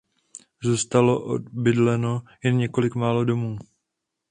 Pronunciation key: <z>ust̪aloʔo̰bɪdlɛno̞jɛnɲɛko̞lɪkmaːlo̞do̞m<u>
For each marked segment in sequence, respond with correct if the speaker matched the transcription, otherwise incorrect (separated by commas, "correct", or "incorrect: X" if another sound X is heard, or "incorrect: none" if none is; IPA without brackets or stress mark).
correct, incorrect: uː